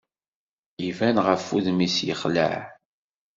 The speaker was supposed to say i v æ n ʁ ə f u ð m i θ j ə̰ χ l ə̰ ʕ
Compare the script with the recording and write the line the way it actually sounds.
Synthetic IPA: i v æ n ʁ ə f u ð m i s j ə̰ χ l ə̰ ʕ